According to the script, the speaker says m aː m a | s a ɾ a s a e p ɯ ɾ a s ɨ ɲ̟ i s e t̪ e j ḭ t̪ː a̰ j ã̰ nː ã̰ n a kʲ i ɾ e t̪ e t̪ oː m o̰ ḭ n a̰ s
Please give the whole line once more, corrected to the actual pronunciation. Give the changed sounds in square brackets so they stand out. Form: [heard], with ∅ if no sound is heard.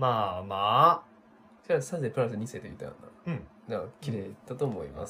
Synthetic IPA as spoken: m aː m a | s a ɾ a s a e p ɯ ɾ a s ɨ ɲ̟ i s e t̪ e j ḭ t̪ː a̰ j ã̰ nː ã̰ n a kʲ i ɾ e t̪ [a] t̪ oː m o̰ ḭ [m] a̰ s